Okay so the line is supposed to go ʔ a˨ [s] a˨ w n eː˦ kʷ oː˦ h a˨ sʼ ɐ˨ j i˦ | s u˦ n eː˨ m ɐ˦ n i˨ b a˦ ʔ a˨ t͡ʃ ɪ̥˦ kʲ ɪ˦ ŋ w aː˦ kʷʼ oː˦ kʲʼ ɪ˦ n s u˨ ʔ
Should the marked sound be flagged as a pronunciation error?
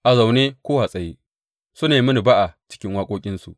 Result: yes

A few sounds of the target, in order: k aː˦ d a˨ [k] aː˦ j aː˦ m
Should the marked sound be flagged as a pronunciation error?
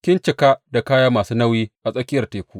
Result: no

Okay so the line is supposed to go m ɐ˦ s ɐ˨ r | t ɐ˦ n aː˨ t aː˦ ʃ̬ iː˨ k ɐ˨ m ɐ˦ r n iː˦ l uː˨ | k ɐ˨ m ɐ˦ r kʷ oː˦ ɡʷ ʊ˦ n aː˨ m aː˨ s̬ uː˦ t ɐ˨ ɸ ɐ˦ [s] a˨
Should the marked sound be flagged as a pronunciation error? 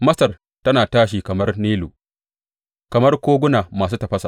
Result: no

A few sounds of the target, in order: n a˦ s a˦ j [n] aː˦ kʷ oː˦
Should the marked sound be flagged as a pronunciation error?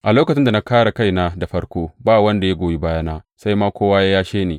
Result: yes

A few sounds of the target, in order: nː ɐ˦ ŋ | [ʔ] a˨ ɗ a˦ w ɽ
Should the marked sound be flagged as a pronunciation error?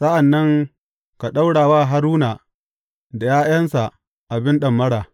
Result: yes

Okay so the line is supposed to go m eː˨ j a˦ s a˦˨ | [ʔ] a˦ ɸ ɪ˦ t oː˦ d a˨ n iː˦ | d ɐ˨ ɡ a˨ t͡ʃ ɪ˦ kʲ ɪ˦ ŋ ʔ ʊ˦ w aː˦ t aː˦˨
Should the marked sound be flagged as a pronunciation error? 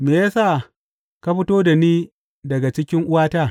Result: yes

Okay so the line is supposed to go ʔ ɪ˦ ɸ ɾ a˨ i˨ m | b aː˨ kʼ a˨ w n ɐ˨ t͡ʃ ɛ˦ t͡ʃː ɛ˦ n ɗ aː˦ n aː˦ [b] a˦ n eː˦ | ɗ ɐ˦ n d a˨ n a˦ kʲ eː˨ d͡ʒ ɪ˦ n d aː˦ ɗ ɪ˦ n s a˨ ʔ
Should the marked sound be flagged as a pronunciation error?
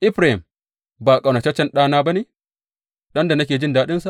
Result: no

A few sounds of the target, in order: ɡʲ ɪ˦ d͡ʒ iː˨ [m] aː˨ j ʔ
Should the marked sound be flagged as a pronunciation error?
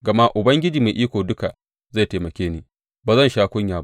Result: no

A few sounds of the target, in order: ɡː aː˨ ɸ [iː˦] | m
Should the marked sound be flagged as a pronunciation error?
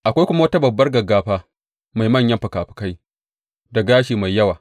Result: yes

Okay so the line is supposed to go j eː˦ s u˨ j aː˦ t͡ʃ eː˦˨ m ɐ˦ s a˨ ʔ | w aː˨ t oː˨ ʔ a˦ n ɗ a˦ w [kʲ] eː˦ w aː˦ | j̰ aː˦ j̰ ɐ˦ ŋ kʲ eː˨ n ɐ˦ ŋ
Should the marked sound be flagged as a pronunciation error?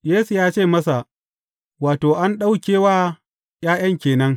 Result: no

